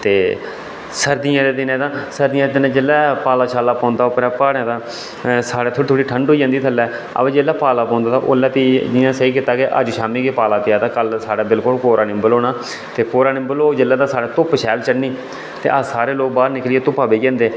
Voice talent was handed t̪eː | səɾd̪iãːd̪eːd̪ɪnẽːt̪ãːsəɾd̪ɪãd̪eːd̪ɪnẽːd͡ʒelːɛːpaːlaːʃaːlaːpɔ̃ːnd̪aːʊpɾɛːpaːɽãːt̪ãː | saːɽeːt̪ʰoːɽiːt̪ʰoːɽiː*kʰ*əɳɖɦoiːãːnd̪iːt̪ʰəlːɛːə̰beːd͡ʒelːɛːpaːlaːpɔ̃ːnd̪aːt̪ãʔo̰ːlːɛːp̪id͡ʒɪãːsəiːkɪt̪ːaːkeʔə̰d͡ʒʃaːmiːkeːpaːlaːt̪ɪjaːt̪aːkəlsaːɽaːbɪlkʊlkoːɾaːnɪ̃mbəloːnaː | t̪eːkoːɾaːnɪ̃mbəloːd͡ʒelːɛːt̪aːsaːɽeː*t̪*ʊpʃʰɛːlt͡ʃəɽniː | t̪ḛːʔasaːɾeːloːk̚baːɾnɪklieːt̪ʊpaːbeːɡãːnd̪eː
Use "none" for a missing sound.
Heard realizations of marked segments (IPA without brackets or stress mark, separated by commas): ʈʰ, t̪